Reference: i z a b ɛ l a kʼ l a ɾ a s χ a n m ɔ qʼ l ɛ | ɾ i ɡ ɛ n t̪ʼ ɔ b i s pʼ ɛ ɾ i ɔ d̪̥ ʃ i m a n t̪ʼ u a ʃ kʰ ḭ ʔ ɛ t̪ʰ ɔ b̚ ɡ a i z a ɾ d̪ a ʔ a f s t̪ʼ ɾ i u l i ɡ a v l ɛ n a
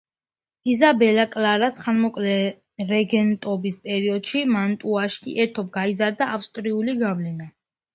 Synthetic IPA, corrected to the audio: i z a b ɛ l a kʼ l a ɾ a s χ a n m ɔ kʼ l ɛ | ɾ ɛ ɡ ɛ n t̪ʼ ɔ b i s pʼ ɛ ɾ i ɔ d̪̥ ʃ i m a n t̪ʼ u a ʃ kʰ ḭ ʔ ɛ t̪ʰ ɔ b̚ ɡ a i z a ɾ d̪ a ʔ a f s t̪ʼ ɾ i u l i ɡ a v l ɛ n a